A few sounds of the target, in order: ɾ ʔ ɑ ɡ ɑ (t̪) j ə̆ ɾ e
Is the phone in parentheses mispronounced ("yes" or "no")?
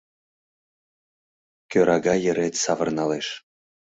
yes